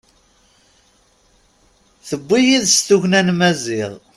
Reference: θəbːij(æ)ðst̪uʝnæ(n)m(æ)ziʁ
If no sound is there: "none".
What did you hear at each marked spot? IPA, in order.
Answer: i, n, æ

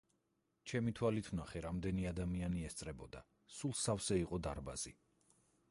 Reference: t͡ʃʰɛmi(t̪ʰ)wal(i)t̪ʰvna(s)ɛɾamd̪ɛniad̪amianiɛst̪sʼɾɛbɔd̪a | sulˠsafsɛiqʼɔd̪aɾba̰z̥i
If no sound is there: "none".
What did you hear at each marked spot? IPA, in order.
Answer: t̪ʰ, i, χ

